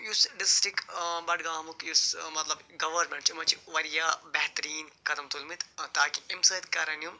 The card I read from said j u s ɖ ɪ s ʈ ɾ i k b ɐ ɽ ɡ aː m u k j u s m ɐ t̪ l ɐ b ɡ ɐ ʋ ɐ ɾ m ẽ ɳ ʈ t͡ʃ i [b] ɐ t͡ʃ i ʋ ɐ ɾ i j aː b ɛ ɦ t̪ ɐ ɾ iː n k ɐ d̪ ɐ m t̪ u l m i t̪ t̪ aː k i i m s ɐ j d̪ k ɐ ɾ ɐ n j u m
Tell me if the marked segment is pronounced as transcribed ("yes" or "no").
no